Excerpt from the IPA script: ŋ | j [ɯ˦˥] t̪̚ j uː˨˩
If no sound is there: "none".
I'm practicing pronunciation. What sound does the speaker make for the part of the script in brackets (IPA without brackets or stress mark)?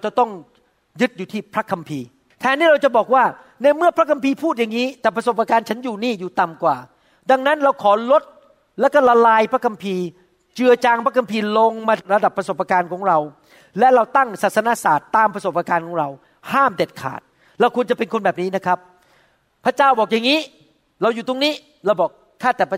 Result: ɯ˦˥